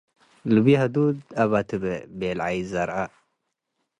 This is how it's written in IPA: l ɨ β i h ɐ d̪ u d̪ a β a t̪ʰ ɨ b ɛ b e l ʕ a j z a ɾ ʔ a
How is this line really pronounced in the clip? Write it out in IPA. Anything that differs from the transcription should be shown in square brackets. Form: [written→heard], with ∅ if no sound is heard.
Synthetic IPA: l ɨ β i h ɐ d̪ u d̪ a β a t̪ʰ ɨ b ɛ b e l ʕ a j z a ɾ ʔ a